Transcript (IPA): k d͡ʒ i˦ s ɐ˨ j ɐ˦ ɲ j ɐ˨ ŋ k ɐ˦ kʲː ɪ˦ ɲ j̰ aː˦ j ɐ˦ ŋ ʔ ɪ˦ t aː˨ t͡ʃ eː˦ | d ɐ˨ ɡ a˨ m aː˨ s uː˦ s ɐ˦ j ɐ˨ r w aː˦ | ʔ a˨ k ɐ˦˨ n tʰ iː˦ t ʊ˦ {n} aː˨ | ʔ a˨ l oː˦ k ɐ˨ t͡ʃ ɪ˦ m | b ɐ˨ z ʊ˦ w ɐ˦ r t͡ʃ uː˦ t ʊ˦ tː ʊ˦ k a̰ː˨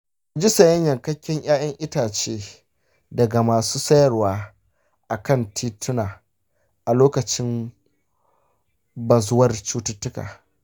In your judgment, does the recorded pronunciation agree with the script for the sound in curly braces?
yes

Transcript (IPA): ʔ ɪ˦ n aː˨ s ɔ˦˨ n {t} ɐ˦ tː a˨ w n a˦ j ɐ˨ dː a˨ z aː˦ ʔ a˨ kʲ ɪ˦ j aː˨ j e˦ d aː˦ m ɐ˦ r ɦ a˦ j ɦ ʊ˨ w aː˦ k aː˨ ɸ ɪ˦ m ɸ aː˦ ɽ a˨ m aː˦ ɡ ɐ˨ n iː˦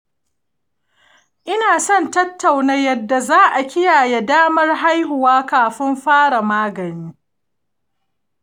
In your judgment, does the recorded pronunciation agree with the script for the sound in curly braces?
yes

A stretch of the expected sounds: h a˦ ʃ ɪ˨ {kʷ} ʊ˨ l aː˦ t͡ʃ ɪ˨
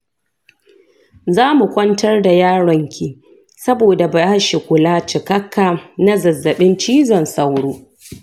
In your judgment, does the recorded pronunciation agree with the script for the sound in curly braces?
yes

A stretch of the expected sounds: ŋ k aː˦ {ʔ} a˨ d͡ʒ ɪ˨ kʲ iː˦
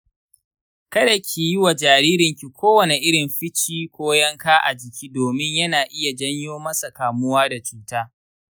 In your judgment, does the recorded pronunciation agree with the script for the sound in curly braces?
yes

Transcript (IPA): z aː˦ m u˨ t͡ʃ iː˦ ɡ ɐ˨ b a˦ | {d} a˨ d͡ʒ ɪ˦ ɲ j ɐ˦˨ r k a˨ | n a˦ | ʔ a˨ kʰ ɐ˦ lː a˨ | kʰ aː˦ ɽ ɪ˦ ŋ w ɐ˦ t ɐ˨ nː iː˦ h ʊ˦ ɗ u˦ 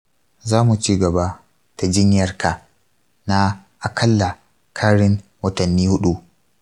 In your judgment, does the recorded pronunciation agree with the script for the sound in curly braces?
no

